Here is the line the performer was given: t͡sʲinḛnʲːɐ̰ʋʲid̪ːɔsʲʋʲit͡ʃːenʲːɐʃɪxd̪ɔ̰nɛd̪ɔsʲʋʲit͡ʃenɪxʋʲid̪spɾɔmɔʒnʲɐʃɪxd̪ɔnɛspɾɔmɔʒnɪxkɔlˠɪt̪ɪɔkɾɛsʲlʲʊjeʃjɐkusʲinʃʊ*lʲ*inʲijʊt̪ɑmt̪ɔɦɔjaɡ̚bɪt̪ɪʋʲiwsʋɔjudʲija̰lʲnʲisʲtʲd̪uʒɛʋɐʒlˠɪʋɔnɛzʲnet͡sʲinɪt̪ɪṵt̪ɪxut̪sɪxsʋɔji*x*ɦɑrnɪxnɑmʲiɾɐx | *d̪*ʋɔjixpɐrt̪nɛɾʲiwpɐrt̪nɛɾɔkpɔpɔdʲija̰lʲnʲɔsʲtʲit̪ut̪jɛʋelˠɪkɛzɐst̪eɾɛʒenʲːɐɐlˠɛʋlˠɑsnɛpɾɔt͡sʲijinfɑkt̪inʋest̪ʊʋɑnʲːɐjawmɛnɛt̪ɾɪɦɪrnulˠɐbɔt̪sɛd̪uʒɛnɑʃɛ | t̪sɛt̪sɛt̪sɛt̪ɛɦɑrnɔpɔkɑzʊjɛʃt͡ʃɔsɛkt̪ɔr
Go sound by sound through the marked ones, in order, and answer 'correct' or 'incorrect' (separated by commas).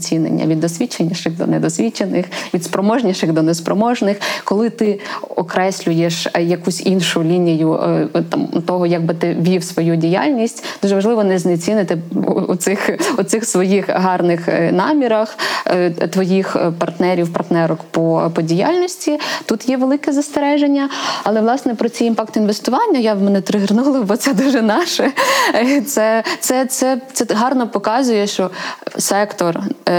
correct, correct, incorrect